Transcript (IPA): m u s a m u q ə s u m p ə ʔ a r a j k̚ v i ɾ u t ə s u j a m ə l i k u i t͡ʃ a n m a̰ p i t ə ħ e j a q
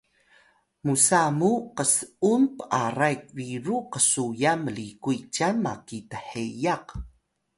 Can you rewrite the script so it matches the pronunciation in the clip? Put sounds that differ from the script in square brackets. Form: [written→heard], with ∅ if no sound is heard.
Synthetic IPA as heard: m u s a m u q ə s u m p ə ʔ a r a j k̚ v i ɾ u [t→q] ə s u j a m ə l i k u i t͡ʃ a n m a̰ [p→k] i t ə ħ e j a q